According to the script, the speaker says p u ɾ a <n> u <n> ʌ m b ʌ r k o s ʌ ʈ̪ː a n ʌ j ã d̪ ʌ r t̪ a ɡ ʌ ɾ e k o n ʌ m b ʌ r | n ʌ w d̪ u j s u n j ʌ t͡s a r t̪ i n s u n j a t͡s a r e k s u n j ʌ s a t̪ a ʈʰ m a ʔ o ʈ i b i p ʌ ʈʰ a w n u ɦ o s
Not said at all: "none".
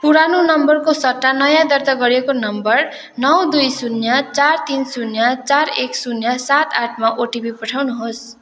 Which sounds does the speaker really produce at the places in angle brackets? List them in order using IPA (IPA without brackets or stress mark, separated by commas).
n, n